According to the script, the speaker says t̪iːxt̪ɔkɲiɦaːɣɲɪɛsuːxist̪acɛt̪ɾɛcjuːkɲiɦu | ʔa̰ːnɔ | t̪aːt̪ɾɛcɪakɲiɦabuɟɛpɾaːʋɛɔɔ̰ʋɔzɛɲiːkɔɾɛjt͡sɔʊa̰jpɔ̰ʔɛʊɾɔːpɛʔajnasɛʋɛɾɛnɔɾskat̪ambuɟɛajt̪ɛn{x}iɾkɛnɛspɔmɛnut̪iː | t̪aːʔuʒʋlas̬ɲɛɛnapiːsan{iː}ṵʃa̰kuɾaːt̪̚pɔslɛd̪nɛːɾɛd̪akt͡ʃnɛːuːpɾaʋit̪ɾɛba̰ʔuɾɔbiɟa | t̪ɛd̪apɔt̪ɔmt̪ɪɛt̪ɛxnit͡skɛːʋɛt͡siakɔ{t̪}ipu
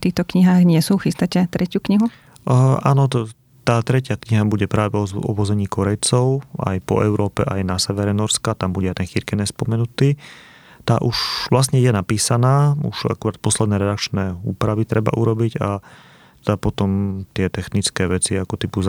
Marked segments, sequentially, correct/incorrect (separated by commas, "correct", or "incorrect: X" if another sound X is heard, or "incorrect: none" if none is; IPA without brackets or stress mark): correct, incorrect: aː, correct